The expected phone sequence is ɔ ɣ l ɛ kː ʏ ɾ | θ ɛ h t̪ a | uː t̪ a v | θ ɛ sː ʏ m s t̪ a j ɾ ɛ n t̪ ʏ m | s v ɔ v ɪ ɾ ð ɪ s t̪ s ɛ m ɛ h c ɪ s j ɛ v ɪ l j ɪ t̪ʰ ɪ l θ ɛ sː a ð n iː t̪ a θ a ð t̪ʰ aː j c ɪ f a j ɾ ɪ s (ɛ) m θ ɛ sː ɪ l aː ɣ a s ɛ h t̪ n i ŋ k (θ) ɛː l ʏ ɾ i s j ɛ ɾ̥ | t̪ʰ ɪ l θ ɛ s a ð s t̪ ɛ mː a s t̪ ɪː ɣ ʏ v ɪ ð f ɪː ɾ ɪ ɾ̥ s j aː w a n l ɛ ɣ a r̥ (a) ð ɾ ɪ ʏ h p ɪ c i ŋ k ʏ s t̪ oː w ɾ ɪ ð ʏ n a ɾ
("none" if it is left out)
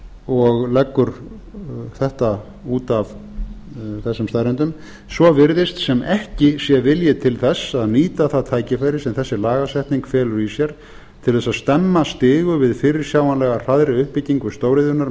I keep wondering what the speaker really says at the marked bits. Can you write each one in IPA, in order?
ɛ, f, a

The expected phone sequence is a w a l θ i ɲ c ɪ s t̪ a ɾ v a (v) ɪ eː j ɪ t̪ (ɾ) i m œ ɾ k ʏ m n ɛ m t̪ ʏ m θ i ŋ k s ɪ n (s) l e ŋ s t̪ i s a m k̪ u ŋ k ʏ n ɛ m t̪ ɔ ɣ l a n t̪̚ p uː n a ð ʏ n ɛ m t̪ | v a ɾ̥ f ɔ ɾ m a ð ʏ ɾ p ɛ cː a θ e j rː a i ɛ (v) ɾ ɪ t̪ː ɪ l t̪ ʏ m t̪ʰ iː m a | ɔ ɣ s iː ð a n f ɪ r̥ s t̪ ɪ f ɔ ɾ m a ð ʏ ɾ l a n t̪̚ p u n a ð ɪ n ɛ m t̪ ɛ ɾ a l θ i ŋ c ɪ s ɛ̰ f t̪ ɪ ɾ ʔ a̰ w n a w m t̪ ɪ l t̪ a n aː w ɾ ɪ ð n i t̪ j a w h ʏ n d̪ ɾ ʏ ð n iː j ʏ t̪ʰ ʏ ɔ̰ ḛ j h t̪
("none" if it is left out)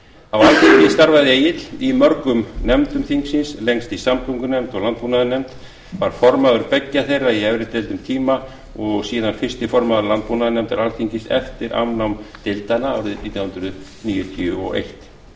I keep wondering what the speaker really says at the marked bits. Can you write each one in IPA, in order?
ð, l, s, v

